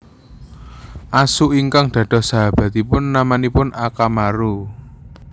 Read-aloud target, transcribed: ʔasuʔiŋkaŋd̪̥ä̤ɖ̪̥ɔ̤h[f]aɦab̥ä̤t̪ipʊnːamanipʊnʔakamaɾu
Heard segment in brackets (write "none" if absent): s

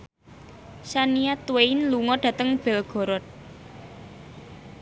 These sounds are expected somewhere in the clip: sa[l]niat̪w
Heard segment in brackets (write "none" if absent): none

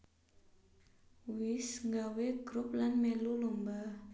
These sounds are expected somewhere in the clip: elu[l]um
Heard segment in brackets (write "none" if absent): l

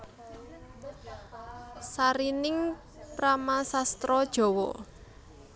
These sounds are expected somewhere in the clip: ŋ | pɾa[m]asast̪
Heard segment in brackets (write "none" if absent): m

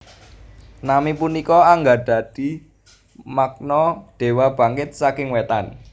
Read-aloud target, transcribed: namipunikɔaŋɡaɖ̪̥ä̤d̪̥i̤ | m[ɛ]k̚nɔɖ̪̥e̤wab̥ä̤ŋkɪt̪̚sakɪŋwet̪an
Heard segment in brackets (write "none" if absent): a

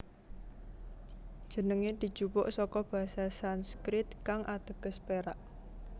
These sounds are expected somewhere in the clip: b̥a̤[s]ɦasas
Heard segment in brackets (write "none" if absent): none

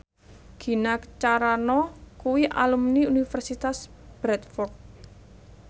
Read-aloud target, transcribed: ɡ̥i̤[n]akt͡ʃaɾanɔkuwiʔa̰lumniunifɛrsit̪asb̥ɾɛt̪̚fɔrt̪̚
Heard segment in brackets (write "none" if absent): n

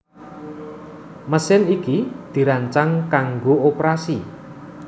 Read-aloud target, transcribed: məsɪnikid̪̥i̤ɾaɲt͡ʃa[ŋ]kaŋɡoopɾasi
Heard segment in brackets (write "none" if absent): ŋ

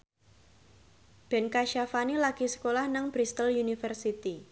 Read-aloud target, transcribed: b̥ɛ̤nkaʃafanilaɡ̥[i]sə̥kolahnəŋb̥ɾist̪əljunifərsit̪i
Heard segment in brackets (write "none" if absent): i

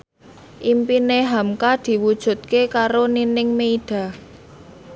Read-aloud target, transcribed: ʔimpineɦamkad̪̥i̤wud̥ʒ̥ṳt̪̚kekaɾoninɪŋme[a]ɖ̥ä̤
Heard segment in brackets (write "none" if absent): i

